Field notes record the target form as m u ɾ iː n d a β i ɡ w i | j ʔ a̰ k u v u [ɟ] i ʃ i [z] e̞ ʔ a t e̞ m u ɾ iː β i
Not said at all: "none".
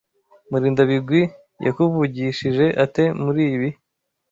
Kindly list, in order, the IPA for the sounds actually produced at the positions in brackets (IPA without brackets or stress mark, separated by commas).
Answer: ɟ, ʒ